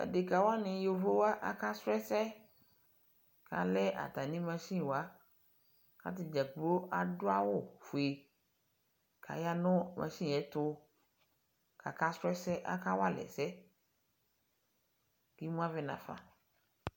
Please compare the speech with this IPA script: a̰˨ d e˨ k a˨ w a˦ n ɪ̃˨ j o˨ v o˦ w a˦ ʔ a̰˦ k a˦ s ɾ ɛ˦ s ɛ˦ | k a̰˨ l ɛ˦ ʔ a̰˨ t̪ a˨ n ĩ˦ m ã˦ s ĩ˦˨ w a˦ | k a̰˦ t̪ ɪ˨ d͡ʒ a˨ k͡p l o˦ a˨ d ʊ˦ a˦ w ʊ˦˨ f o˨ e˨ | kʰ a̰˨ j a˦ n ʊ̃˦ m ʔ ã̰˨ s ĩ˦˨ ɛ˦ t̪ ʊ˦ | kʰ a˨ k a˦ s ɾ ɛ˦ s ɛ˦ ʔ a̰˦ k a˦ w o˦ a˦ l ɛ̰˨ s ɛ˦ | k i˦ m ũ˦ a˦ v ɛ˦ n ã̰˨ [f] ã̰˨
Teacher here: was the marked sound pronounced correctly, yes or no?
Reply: yes